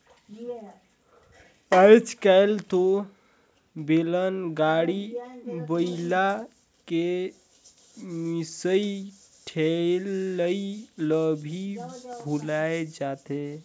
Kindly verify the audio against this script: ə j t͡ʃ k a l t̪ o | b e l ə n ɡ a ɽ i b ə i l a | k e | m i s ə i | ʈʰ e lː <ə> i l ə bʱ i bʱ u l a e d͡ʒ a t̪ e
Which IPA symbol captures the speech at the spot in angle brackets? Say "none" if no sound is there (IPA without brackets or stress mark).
ə